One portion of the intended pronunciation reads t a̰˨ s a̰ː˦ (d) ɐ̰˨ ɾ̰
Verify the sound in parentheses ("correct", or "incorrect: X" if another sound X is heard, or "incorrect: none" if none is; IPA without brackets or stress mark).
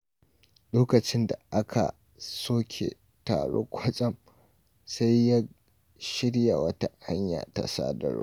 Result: correct